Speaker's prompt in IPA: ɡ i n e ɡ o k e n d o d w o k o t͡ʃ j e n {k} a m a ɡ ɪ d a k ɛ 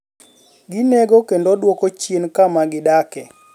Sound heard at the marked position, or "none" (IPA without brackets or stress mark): k